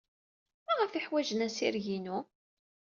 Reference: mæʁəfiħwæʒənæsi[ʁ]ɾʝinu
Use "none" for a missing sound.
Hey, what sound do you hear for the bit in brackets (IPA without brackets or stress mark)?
none